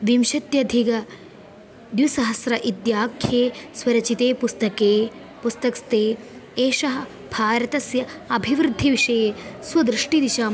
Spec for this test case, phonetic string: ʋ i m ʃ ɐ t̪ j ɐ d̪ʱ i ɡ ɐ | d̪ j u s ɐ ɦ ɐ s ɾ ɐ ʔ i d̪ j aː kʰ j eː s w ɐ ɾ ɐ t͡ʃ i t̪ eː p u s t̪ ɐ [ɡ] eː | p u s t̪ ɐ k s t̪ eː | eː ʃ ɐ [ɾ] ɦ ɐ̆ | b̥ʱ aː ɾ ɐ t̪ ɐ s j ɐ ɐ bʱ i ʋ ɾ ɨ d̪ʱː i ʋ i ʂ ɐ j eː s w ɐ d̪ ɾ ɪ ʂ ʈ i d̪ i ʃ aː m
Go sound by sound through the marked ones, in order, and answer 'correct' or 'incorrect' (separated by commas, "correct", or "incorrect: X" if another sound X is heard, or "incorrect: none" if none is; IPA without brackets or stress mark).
incorrect: k, incorrect: none